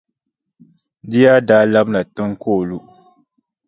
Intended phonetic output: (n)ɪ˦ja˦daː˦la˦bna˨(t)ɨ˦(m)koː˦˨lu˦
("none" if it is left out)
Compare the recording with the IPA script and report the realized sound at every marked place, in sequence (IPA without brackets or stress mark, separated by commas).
d, t, ŋ